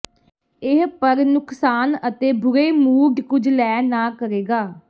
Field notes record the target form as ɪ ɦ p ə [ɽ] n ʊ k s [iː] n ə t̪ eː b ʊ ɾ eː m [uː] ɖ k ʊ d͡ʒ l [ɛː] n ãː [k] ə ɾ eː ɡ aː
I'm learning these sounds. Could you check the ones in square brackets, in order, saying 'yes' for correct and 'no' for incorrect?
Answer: no, no, yes, yes, yes

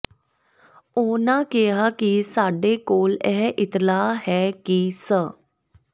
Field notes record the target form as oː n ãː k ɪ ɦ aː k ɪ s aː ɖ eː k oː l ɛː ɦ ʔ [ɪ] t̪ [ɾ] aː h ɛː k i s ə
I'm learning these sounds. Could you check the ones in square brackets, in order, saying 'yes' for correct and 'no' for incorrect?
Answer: yes, no

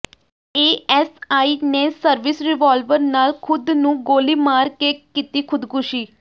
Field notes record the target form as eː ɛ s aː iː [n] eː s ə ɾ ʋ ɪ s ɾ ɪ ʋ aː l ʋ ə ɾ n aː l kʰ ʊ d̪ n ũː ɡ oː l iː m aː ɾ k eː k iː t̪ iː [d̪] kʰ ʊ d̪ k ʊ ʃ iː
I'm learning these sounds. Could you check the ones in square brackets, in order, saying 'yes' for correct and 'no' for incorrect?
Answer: yes, no

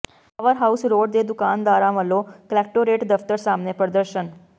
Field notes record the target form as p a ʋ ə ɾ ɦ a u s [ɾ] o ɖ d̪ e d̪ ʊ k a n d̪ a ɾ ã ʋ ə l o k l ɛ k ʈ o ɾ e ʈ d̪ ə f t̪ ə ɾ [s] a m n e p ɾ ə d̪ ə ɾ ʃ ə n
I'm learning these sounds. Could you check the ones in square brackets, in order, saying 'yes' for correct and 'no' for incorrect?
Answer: yes, yes

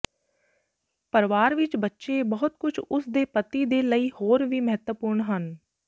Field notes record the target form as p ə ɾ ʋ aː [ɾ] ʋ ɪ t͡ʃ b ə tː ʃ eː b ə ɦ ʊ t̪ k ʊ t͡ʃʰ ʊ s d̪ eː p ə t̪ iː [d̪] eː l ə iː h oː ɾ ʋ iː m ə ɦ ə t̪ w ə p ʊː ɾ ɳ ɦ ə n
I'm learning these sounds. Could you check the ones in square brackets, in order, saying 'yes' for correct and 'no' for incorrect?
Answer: yes, yes

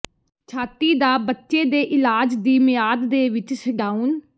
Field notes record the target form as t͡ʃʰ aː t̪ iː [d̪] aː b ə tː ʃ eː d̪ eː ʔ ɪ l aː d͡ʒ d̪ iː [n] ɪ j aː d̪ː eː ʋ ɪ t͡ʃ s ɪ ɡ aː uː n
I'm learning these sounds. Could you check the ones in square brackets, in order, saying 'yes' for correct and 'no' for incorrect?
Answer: yes, no

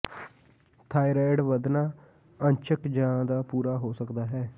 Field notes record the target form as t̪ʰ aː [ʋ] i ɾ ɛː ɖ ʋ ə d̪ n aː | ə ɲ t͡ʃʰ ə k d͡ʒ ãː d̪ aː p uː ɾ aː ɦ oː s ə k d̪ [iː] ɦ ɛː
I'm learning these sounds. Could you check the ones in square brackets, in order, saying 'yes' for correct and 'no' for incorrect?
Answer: no, no

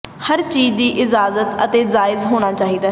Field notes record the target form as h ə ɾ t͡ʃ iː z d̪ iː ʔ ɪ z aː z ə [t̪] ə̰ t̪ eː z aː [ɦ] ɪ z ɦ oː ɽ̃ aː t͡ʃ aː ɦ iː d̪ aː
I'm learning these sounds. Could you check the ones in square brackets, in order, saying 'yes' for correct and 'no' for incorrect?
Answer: yes, no

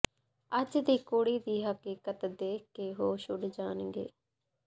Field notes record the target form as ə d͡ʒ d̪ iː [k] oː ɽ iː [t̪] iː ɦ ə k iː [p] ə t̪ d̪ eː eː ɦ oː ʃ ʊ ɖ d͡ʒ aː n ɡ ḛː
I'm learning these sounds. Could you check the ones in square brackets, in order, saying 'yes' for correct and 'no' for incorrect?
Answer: yes, no, no

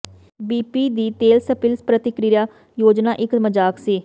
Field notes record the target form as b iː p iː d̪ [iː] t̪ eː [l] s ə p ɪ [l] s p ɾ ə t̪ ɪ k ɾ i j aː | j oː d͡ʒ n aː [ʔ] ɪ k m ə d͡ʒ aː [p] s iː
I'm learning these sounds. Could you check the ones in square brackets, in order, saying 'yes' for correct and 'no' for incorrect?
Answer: yes, yes, yes, yes, no

